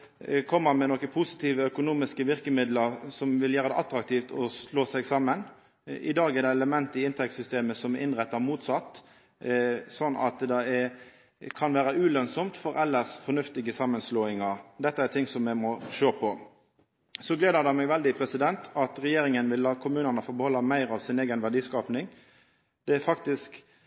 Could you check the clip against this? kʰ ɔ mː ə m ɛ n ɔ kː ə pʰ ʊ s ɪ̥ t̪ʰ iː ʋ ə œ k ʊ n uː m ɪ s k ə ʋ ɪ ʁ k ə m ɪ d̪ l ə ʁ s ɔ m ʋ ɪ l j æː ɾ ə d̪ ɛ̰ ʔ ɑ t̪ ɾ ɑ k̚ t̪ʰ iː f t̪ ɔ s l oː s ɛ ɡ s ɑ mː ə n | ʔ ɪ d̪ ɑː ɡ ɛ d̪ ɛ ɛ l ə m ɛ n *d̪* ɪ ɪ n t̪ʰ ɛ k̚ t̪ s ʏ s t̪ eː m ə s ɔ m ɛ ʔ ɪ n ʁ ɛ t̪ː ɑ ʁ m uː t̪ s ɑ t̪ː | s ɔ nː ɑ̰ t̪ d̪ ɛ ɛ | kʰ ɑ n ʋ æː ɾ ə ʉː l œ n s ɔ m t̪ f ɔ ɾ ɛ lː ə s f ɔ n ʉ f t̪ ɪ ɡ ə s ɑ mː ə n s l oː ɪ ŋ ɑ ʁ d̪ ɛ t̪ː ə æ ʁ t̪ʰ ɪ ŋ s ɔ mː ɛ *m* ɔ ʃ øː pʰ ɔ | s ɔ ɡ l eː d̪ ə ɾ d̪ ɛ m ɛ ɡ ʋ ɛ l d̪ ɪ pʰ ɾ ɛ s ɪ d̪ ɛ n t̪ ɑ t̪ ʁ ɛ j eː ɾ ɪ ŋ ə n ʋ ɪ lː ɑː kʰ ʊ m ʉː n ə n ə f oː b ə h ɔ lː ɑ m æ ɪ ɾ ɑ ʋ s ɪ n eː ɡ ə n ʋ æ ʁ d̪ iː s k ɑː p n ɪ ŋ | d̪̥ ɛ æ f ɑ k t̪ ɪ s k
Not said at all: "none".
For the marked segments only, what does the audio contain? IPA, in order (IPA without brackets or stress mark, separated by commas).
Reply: t̪, m